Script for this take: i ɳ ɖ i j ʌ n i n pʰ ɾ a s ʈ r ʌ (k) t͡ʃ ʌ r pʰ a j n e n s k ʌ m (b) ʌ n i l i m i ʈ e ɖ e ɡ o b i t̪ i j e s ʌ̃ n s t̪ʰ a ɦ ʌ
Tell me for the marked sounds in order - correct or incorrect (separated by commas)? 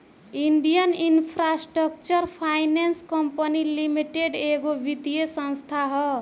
correct, incorrect